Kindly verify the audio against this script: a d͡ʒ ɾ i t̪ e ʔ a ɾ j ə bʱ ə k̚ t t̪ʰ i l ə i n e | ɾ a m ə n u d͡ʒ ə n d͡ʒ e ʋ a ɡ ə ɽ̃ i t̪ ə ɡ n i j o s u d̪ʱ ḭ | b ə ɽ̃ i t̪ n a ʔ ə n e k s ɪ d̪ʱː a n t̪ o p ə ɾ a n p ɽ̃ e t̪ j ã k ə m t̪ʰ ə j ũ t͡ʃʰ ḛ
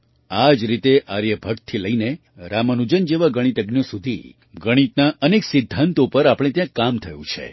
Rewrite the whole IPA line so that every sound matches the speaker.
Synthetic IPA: a d͡ʒ ɾ i t̪ e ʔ a ɾ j ə bʱ ə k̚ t t̪ʰ i l ə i n e | ɾ a m ə n u d͡ʒ ə n d͡ʒ e ʋ a ɡ ə ɽ̃ i t̪ ə ɡ n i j o s u d̪ʱ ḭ | ɡ ə ɽ̃ i t̪ n a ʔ ə n e k s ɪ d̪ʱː a n t̪ o p ə ɾ a p ɽ̃ e t̪ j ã k a m t̪ʰ ə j ũ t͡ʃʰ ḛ

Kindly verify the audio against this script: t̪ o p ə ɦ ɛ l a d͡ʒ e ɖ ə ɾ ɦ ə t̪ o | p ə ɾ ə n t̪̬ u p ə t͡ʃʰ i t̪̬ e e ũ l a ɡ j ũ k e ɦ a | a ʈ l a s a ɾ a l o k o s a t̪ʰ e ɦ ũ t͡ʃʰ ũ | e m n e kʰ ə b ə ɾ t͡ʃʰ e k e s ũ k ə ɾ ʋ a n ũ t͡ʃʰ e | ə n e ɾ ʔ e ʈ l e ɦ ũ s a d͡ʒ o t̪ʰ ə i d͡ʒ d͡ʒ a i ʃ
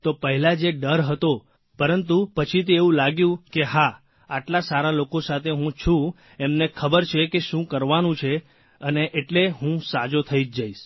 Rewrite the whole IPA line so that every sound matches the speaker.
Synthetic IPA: t̪ o p ə ɦ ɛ l a d͡ʒ e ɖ ə ɾ ɦ ə t̪ o | p ə ɾ ə n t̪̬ u p ə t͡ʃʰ i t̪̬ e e ũ l a ɡ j ũ k e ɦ a | a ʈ l a s a ɾ a l o k o s a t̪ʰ e ɦ ũ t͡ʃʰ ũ | e m n e kʰ ə b ə ɾ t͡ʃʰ e k e ʃ ũ k ə ɾ ʋ a n ũ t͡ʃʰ e | ə n e ʔ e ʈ l e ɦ ũ s a d͡ʒ o t̪ʰ ə i d͡ʒ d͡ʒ a i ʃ

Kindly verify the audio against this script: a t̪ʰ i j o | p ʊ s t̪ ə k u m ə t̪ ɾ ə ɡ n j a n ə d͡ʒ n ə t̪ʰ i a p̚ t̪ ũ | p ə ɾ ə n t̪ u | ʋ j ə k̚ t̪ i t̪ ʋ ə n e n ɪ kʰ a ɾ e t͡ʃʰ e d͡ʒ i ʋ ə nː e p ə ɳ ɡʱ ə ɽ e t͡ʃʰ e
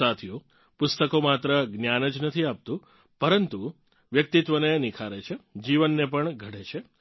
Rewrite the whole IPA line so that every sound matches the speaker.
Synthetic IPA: a t̪ʰ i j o | p ʊ s t̪ ə k o m a t̪ ɾ ə ɡ n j a n ə d͡ʒ n ə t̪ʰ i a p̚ t̪ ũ | p ə ɾ ə n t̪ u | ʋ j ə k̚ t̪ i t̪ ʋ ə n e n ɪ kʰ a ɾ e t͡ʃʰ e d͡ʒ i ʋ ə nː e p ə ɳ ɡʱ ə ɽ e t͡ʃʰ e

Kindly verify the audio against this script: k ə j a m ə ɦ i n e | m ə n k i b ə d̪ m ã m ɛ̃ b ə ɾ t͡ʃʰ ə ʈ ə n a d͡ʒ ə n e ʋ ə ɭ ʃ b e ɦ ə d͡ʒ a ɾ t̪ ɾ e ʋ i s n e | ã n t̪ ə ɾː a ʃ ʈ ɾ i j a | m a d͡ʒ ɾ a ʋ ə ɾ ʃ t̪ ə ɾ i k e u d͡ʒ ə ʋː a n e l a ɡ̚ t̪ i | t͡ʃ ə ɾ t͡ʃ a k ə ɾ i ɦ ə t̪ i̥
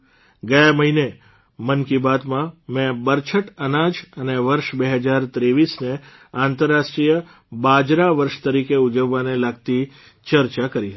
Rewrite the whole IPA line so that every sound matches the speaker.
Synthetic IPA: ɡ ə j a m ə ɦ i n e | m ə n k i b a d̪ m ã m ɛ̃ b ə ɾ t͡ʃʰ ə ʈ ə n a d͡ʒ ə n e ʋ ə ɾ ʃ b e ɦ ə d͡ʒ a ɾ t̪ ɾ e ʋ i s n e | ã n t̪ ə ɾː a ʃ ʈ ɾ i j ə | b a d͡ʒ ɾ a ʋ ə ɾ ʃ t̪ ə ɾ i k e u d͡ʒ ə ʋː a n e l a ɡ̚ t̪ i | t͡ʃ ə ɾ t͡ʃ a k ə ɾ i ɦ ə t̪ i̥

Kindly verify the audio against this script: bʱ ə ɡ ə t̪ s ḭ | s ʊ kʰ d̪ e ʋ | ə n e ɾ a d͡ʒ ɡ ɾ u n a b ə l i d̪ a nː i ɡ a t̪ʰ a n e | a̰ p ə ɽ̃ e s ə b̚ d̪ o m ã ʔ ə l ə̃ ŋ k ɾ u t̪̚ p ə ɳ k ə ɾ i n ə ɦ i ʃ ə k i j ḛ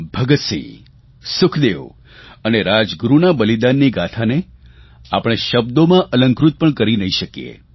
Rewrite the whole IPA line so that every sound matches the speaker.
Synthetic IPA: bʱ ə ɡ ə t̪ s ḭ | s ʊ kʰ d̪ e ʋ | ə n e ɾ a d͡ʒ ɡ ɾ u n a b ə l i d̪ a nː i ɡ a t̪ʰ a n e | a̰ p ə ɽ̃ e ʃ ə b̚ d̪ o m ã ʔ ə l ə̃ ŋ k ɾ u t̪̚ p ə ɳ k ə ɾ i n ə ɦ i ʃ ə k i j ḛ

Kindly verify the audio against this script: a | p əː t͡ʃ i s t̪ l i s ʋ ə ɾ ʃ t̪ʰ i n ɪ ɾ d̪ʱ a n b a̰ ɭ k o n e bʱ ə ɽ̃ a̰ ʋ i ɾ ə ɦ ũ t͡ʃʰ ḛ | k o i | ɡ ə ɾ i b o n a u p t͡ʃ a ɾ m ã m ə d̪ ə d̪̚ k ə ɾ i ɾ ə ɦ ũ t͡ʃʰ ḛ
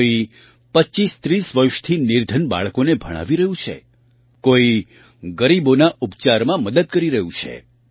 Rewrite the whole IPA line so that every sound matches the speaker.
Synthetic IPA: i | p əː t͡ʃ i s t̪ ɾ i s ʋ ə ɾ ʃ t̪ʰ i n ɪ ɾ d̪ʱ ə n b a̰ ɭ k o n e bʱ ə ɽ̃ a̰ ʋ i ɾ ə ɦ ũ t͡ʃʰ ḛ | k o i | ɡ ə ɾ i b o n a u p t͡ʃ a ɾ m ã m ə d̪ ə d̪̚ k ə ɾ i ɾ ə ɦ ũ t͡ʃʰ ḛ

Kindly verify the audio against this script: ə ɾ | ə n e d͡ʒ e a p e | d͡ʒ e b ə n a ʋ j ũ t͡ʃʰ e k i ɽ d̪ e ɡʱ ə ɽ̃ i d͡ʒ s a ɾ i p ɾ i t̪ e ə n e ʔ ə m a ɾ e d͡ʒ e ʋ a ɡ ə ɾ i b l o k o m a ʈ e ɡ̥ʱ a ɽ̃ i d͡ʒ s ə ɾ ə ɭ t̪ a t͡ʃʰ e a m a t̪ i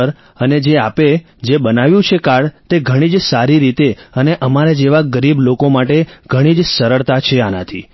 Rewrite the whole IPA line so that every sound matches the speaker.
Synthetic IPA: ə ɾ | ə n e d͡ʒ e a p e | d͡ʒ e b ə n a ʋ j ũ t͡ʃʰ e k a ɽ t̪ e ɡʱ ə ɽ̃ i d͡ʒ s a ɾ i ɾ i t̪ e ə n e ʔ ə m a ɾ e d͡ʒ e ʋ a ɡ ə ɾ i b l o k o m a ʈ e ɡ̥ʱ ə ɽ̃ i d͡ʒ s ə ɾ ə ɭ t̪ a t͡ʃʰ e a n a t̪ʰ i

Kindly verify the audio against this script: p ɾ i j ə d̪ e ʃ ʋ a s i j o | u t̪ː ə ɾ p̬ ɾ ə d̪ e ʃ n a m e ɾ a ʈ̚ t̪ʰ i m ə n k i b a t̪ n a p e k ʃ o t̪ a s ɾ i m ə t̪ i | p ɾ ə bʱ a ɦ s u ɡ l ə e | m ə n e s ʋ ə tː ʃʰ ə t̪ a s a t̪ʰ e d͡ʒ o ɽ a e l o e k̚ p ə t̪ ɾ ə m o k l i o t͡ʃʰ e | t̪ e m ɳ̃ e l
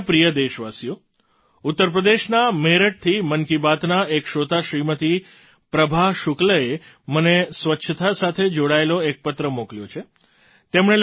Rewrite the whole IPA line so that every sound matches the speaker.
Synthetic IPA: p ɾ i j ə d̪ e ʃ ʋ a s i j o | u t̪ː ə ɾ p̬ ɾ ə d̪ e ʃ n a m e ɾ ə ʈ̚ t̪ʰ i m ə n k i b a t̪ n a e k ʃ o t̪ a ʃ ɾ i m ə t̪ i | p ɾ ə bʱ a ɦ ʃ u k l ə e | m ə n e s ʋ ə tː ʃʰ ə t̪ a s a t̪ʰ e d͡ʒ o ɽ a e l o e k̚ p ə t̪ ɾ ə m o k l j o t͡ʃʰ e | t̪ e m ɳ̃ e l

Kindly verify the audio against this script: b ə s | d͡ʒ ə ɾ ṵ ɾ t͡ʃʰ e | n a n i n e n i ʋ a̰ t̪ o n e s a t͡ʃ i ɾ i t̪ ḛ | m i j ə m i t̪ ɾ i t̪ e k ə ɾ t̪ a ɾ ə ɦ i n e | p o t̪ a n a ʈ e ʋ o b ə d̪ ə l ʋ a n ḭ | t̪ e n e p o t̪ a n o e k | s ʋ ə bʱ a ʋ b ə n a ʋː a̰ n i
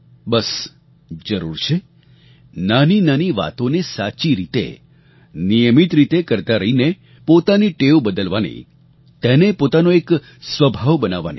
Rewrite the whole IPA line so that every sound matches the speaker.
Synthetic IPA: b ə s | d͡ʒ ə ɾ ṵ ɾ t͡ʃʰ e | n a n i n a n i ʋ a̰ t̪ o n e s a t͡ʃ i ɾ i t̪ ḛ | n i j ə m i t̪ ɾ i t̪ e k ə ɾ t̪ a ɾ ə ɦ i n e | p o t̪ a n i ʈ e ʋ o b ə d̪ ə l ʋ a n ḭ | t̪ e n e p o t̪ a n o e k | s ʋ ə bʱ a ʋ b ə n a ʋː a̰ n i

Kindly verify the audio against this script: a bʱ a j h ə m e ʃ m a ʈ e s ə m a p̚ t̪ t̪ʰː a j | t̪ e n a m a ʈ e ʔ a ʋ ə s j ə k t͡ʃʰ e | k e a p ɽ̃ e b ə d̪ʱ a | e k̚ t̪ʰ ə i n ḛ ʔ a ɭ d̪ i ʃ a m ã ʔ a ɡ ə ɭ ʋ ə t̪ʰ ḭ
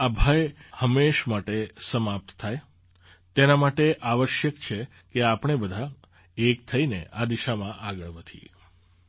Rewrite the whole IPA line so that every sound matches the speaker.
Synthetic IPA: a bʱ a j h ə m e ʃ m a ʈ e s ə m a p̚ t̪ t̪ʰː a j | t̪ e n a m a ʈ e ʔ a ʋ ə ʃ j ə k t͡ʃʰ e | k e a p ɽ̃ e b ə d̪ʱ a | e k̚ t̪ʰ ə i n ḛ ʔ a d̪ i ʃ a m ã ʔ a ɡ ə ɭ ʋ ə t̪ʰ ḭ

